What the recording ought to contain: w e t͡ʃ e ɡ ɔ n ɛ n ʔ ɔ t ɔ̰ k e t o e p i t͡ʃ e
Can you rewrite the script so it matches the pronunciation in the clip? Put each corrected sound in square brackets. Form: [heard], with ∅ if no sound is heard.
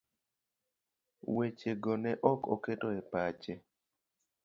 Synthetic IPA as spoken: w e t͡ʃ e ɡ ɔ n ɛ [∅] ʔ ɔ [k] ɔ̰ k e t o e p [a] t͡ʃ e